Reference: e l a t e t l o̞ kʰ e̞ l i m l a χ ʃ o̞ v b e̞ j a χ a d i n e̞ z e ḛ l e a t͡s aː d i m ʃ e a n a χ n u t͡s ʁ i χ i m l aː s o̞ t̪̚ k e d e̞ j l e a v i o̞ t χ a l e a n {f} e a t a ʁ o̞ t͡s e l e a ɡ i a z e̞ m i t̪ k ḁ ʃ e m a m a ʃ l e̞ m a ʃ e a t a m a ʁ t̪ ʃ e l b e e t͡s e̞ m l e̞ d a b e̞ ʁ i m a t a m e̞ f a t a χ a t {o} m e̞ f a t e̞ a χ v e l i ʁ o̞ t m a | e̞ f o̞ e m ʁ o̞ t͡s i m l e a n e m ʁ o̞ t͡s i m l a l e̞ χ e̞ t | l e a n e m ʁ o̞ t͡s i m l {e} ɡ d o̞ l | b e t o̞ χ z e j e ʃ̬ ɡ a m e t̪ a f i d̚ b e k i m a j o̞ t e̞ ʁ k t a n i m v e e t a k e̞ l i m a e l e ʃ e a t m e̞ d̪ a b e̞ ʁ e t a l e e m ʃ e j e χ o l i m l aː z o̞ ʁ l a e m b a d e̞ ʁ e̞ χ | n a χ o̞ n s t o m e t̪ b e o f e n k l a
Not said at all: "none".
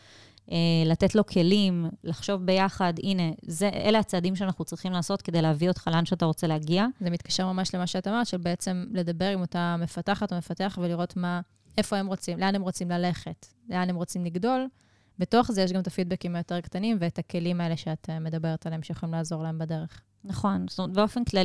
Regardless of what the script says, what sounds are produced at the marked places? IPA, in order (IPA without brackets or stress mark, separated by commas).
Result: ʃ, o, i